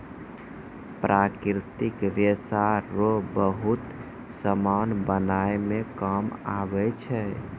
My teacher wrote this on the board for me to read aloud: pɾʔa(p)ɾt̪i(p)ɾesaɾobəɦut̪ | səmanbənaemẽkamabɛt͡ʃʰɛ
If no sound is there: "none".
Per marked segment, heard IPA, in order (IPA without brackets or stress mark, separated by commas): k, k